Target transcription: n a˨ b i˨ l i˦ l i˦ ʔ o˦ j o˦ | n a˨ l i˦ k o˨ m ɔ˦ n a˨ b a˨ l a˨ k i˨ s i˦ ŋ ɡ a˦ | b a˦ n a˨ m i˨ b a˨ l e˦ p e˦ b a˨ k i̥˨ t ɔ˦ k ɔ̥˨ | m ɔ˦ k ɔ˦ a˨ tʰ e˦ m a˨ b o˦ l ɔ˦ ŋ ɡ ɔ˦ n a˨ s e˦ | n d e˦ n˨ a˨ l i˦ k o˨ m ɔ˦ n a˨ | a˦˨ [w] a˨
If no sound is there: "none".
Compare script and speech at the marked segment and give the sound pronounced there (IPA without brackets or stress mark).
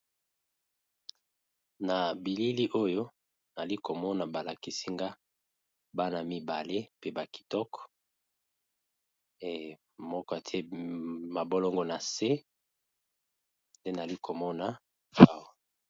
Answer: w